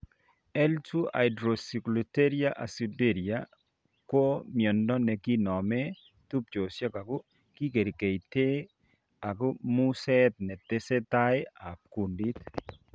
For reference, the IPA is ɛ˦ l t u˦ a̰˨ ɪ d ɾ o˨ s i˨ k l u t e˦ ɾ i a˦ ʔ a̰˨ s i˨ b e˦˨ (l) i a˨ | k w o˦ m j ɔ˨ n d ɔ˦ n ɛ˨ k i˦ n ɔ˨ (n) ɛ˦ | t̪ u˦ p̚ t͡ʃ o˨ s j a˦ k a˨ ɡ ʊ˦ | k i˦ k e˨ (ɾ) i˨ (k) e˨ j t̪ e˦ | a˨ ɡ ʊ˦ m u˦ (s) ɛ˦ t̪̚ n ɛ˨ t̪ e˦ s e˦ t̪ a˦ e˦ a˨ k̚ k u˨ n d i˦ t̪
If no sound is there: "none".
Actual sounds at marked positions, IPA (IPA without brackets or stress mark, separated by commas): ɾ, m, ɾ, k, s